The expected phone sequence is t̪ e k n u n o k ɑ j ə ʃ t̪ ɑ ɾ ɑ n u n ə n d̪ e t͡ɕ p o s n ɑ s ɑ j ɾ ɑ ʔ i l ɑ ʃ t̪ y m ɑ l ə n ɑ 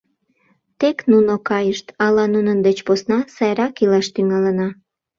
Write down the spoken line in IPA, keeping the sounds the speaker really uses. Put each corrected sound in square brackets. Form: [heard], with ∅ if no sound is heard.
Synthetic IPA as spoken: t̪ e k n u n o k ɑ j ə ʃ t̪ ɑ [l] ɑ n u n ə n d̪ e t͡ɕ p o s n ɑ s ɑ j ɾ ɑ [k] i l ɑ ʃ t̪ y [ŋ] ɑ l ə n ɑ